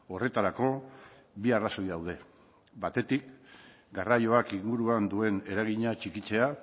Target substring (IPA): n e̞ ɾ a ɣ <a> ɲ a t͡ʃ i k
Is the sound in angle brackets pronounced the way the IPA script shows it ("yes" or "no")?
no